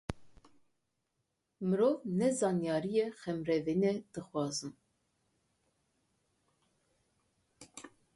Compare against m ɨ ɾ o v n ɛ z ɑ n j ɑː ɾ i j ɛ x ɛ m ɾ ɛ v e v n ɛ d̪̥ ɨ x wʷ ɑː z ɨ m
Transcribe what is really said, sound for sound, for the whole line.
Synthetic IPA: m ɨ ɾ o v n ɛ z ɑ n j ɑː ɾ i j ɛ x ɛ m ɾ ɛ v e n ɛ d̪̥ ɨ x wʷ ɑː z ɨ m